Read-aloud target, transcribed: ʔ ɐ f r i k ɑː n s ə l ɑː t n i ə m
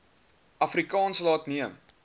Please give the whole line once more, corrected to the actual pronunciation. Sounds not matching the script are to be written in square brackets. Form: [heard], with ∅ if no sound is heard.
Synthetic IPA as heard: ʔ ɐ f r i k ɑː n s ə l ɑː t n i ə m